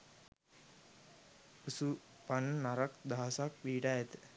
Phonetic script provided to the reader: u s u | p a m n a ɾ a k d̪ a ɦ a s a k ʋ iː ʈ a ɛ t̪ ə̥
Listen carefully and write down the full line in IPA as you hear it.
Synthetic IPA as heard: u s u | p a n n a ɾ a k d̪ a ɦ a s a k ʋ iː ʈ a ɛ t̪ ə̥